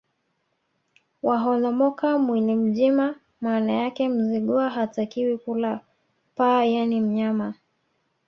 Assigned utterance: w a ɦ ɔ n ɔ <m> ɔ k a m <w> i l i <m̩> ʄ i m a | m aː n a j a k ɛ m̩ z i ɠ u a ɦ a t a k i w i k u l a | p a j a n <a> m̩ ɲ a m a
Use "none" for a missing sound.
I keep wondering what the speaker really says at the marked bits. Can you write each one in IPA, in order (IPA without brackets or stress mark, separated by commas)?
m, w, m̩, i